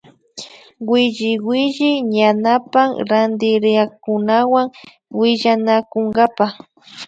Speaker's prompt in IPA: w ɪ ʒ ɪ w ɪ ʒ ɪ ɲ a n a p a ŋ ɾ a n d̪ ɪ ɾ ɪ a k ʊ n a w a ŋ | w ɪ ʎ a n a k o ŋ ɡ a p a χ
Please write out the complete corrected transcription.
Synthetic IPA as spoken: w ɪ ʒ ɪ w ɪ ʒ ɪ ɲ a n a p a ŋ ɾ a n d̪ ɪ ɾ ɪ a k ʊ n a w a ŋ | w ɪ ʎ a n a k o ŋ ɡ a p a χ